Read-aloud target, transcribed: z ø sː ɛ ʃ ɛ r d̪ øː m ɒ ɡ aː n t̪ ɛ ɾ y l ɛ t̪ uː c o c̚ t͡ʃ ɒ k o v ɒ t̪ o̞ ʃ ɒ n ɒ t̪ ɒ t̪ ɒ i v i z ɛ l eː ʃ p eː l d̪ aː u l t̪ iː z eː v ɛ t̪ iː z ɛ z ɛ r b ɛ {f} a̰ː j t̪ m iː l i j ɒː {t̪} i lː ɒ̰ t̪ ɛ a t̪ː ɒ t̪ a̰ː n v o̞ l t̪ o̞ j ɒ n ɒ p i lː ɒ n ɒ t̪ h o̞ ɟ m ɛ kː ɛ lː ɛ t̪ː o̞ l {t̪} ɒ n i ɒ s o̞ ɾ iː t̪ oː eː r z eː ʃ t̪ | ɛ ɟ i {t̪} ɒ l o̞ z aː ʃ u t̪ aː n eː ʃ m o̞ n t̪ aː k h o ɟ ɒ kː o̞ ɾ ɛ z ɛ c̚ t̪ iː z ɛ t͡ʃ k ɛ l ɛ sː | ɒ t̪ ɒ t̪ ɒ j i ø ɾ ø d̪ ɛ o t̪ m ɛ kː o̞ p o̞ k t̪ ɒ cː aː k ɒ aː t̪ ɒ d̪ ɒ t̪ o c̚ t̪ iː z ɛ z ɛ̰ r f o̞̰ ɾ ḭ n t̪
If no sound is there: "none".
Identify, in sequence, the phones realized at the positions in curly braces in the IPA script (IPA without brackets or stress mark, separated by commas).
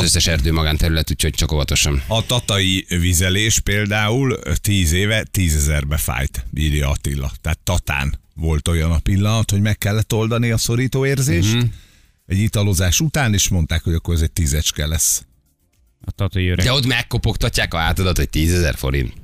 f, t̪, d̪, t̪